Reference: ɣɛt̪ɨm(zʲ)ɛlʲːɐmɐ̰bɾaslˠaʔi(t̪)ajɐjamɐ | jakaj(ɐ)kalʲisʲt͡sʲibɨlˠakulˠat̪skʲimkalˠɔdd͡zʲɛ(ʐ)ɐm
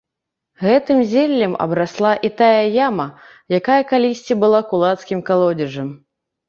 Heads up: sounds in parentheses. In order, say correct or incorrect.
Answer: correct, correct, correct, correct

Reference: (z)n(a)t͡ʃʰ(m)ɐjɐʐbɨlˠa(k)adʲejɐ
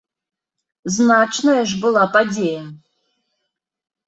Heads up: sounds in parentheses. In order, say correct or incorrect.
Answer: correct, correct, incorrect: n, incorrect: p

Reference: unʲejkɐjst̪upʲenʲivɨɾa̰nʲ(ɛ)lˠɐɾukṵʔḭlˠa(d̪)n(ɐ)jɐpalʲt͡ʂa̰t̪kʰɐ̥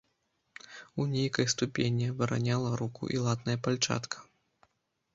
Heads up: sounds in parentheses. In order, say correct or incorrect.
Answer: incorrect: a, incorrect: t̪, correct

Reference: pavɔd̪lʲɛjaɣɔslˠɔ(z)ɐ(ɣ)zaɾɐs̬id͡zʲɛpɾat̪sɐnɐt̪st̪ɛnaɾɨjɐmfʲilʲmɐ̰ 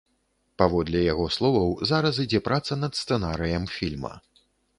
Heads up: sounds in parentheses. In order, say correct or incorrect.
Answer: incorrect: v, incorrect: w

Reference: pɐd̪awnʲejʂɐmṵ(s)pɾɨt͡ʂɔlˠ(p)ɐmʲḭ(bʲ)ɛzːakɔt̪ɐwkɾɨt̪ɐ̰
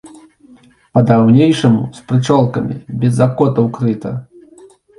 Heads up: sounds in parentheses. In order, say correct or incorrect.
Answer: correct, incorrect: k, correct

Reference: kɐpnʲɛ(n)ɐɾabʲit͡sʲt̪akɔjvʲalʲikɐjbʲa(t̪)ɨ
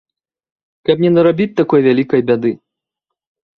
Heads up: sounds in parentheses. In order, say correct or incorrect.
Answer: correct, incorrect: d̪

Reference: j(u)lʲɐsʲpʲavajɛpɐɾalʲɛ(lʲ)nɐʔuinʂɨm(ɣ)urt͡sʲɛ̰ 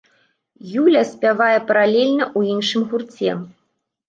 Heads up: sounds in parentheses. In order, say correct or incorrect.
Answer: correct, correct, correct

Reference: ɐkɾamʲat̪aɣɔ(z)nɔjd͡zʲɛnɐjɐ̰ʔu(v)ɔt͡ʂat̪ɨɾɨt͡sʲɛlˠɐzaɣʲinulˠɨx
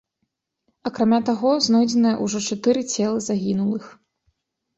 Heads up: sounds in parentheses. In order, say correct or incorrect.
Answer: correct, incorrect: ʐ

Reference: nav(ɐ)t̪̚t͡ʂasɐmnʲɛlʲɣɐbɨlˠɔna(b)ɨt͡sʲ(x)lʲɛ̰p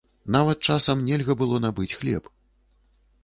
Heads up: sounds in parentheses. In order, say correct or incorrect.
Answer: correct, correct, correct

